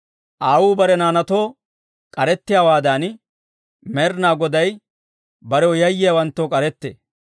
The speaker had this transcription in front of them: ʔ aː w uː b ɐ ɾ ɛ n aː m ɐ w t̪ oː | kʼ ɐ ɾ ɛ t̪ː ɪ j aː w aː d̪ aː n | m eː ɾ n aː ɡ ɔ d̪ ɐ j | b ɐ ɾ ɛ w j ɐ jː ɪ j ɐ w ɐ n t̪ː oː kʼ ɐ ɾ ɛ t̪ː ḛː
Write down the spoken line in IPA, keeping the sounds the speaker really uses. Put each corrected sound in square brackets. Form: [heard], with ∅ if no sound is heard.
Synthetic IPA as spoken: ʔ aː w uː b ɐ ɾ ɛ n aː [n] ɐ [∅] t̪ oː | kʼ ɐ ɾ ɛ t̪ː ɪ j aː w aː d̪ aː n | m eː ɾ n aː ɡ ɔ d̪ ɐ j | b ɐ ɾ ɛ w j ɐ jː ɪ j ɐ w ɐ n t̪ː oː kʼ ɐ ɾ ɛ t̪ː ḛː